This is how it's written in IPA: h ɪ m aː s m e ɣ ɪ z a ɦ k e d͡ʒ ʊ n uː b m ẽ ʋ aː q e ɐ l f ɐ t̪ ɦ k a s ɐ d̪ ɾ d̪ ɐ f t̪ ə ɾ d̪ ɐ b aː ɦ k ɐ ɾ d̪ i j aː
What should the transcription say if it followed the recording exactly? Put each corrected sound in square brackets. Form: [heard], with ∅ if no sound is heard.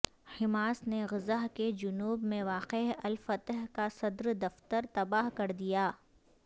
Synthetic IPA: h ɪ m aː s [n] e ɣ ɪ z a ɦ k e d͡ʒ ʊ n uː b m ẽ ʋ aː q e ɐ l f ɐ t̪ ɦ k a s ɐ d̪ ɾ d̪ ɐ f t̪ ə ɾ [t̪] ɐ b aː ɦ k ɐ ɾ d̪ i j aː